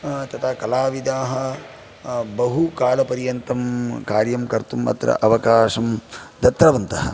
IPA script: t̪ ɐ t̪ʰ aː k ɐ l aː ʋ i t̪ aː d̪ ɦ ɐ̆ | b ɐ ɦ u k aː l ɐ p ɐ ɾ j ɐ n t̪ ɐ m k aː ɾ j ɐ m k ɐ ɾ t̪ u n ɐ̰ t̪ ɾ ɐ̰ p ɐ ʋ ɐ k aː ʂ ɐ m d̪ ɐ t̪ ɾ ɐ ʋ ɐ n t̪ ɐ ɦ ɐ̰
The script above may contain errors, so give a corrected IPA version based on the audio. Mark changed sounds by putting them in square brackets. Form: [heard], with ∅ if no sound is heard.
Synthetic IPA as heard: t̪ ɐ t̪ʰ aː k ɐ l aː ʋ i [d̪] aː [∅] ɦ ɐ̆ | b ɐ ɦ u k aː l ɐ p ɐ ɾ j ɐ n t̪ ɐ m k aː ɾ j ɐ m k ɐ ɾ t̪ u [m] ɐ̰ t̪ ɾ ɐ̰ [ʔ] ɐ ʋ ɐ k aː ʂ ɐ m d̪ ɐ t̪ ɾ ɐ ʋ ɐ n t̪ ɐ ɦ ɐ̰

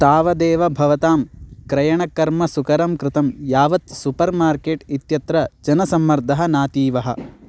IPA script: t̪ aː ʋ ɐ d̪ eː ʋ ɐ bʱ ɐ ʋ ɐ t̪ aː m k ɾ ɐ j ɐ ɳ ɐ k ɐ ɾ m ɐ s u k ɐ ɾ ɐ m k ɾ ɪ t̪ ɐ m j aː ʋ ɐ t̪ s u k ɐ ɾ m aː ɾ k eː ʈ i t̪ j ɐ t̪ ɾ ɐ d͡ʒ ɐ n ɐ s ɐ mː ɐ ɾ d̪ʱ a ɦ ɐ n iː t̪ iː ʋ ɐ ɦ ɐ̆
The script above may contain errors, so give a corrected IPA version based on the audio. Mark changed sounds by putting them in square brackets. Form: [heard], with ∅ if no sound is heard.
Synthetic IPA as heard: t̪ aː ʋ ɐ d̪ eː ʋ ɐ bʱ ɐ ʋ ɐ t̪ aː m k ɾ ɐ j ɐ ɳ ɐ k ɐ ɾ m ɐ s u k ɐ ɾ ɐ m k ɾ ɪ t̪ ɐ m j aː ʋ ɐ t̪ s u [p] ɐ ɾ m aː ɾ k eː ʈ i t̪ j ɐ t̪ ɾ ɐ d͡ʒ ɐ n ɐ s ɐ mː ɐ ɾ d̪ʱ [ɐ] ɦ ɐ n [aː] t̪ iː ʋ ɐ ɦ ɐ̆

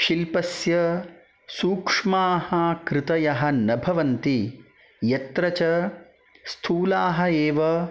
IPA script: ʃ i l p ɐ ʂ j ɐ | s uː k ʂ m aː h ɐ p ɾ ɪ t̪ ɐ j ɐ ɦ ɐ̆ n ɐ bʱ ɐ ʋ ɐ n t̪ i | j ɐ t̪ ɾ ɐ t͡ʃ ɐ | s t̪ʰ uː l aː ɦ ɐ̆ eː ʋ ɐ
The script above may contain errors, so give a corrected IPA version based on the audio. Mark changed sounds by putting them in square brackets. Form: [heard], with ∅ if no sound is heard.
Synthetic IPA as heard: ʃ i l p ɐ [s] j ɐ | s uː k ʂ m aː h ɐ [k] ɾ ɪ t̪ ɐ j ɐ ɦ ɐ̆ n ɐ bʱ ɐ ʋ ɐ n t̪ i | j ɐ t̪ ɾ ɐ t͡ʃ ɐ | s t̪ʰ uː l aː ɦ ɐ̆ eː ʋ ɐ

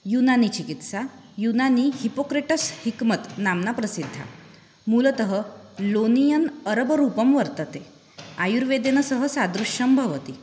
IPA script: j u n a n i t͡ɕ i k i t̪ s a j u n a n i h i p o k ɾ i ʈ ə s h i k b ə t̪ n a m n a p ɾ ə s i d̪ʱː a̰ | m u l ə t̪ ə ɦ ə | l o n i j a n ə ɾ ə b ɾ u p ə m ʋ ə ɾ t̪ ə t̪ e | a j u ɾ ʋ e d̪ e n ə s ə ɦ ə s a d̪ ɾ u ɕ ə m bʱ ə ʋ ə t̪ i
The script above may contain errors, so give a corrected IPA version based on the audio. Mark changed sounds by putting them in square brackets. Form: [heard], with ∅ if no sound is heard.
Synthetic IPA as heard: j u n a n i t͡ɕ i k i t̪ s a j u n a n i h i p o k ɾ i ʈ ə s h i k [m] ə t̪ n a m n a p ɾ ə s i d̪ʱː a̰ | m u l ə t̪ ə ɦ ə | l o n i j [ə] n ə ɾ ə b ɾ u p ə m ʋ ə ɾ t̪ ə t̪ e | a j u ɾ ʋ e d̪ e n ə s ə ɦ ə s a d̪ ɾ u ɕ ə m bʱ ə ʋ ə t̪ i

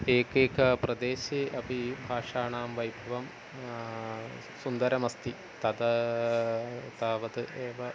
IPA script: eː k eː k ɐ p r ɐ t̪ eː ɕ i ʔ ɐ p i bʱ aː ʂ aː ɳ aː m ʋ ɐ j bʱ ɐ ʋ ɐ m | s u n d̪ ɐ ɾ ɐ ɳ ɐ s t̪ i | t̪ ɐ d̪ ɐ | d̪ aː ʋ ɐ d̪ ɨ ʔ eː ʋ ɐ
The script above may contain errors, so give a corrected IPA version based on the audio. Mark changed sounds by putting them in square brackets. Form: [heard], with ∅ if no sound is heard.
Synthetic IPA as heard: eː k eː k ɐ p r ɐ [d̪] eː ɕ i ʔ ɐ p i bʱ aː ʂ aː ɳ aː m ʋ ɐ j bʱ ɐ ʋ ɐ m | s u n d̪ ɐ ɾ ɐ [m] ɐ s t̪ i | t̪ ɐ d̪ ɐ | [t̪] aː ʋ ɐ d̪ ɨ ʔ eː ʋ ɐ

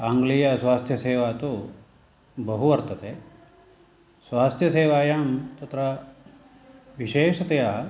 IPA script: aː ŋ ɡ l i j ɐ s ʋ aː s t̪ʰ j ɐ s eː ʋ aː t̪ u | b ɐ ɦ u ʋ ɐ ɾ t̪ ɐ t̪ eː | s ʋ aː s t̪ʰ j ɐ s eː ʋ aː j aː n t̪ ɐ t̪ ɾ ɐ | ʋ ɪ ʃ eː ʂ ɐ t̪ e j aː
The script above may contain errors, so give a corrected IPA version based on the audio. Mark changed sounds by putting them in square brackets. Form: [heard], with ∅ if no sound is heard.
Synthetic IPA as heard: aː ŋ ɡ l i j ɐ s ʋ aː s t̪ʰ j ɐ s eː ʋ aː t̪ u | b ɐ ɦ u ʋ ɐ ɾ t̪ ɐ t̪ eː | s ʋ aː s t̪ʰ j ɐ s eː ʋ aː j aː [m] t̪ ɐ t̪ ɾ ɐ | ʋ [i] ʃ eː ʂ ɐ t̪ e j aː

